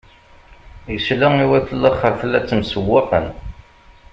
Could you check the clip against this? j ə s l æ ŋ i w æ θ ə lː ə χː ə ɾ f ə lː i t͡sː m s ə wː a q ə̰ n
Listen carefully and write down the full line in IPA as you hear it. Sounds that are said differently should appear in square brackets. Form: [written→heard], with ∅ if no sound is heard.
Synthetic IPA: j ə s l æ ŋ i w æ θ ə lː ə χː ə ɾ f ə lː [i→æ] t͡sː m s ə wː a q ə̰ n